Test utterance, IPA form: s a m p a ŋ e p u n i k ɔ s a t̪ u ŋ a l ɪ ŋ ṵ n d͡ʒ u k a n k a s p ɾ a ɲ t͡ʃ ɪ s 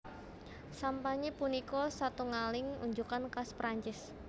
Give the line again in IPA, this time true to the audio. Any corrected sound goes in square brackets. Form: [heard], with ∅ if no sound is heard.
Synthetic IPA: s a m p a [ɲ] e p u n i k ɔ s a t̪ u ŋ a l ɪ ŋ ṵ [ɲ] d͡ʒ u k a n k a s p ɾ a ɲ t͡ʃ ɪ s